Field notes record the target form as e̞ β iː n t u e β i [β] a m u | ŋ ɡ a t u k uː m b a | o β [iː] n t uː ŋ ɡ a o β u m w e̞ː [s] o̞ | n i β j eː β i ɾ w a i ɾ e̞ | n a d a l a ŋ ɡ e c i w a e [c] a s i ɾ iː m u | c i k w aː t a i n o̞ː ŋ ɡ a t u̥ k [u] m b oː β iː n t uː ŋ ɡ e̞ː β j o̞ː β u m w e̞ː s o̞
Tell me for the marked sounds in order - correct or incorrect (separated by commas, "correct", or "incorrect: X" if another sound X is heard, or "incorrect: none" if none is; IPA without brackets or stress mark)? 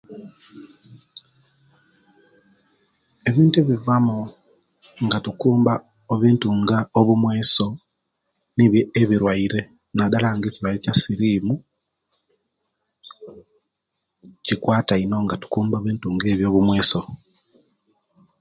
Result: incorrect: v, correct, correct, correct, incorrect: uː